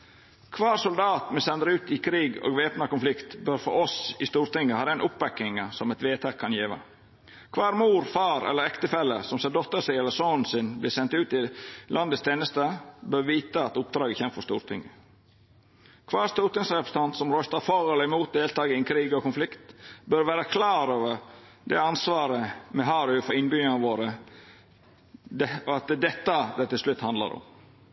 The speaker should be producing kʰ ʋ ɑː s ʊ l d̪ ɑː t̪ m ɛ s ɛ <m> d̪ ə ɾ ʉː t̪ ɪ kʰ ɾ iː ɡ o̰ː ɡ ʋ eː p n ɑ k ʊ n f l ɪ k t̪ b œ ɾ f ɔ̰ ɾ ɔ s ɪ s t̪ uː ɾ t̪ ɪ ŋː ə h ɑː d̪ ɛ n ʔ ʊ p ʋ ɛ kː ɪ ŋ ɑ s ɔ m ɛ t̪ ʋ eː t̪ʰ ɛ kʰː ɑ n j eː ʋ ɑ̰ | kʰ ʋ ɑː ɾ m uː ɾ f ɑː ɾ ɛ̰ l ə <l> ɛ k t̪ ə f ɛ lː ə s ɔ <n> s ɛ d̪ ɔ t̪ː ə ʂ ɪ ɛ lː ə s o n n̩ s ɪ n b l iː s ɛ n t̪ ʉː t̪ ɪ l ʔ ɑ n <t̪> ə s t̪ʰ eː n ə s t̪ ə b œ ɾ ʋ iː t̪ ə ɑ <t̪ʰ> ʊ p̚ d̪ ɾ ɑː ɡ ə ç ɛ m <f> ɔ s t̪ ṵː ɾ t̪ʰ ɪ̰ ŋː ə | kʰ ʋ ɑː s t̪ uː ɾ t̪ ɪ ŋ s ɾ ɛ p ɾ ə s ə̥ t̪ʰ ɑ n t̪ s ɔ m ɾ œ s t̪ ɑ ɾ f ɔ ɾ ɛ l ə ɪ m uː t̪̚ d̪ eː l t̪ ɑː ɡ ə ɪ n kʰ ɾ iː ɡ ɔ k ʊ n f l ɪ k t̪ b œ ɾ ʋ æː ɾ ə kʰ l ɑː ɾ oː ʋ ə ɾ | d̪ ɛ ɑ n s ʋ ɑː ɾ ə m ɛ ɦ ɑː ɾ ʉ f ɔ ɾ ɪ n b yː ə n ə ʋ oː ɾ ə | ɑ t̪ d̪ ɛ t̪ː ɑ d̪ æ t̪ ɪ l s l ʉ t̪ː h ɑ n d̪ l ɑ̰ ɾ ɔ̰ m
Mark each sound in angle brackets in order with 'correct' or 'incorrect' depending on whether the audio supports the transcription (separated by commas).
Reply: incorrect, incorrect, incorrect, incorrect, incorrect, correct